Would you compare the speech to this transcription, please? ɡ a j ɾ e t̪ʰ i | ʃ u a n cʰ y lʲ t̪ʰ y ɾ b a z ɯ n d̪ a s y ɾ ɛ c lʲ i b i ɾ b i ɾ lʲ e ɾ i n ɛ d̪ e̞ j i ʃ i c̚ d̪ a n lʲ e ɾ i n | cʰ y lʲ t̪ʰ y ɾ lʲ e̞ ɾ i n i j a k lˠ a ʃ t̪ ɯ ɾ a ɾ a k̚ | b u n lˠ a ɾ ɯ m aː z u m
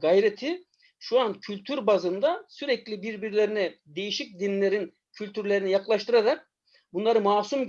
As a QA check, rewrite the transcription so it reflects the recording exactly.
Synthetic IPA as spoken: ɡ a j ɾ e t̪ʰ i | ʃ u a n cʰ y lʲ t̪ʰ y ɾ b a z ɯ n d̪ a s y ɾ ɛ c lʲ i b i ɾ b i ɾ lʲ e ɾ i n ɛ d̪ e̞ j i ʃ i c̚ d̪ i n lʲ e ɾ i n | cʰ y lʲ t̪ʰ y ɾ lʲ e̞ ɾ i n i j a k lˠ a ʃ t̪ ɯ ɾ a ɾ a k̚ | b u n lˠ a ɾ ɯ m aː s u m